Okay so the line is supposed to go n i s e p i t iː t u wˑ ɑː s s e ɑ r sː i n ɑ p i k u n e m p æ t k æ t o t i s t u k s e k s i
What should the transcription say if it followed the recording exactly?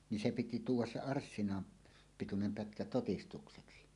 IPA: n i s e p i t i t uː wˑ ɑ s s e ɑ r sː i n ɑ p i t u n e m p æ t k æ t o t i s t u k s e k s i